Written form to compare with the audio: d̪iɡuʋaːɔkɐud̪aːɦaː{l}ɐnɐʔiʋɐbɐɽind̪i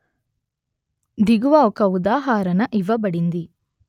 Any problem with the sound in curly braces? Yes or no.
yes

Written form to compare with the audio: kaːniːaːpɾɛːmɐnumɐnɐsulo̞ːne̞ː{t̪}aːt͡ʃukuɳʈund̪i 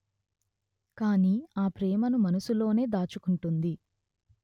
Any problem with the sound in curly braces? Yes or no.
yes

